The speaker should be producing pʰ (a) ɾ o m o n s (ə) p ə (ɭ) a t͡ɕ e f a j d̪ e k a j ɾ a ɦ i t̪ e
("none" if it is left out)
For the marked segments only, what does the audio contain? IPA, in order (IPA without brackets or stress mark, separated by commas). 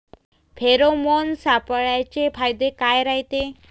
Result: e, a, ɭ